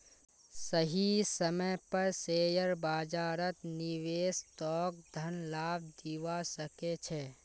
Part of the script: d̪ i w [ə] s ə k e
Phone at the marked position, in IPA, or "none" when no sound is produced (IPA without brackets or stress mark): a